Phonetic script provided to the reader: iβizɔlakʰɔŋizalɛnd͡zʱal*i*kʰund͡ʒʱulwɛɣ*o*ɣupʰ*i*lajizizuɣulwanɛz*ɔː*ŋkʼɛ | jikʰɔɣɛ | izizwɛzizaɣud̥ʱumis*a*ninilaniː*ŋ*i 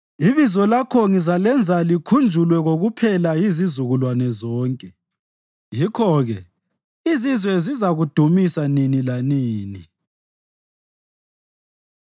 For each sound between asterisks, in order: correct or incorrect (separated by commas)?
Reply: correct, correct, incorrect, correct, correct, incorrect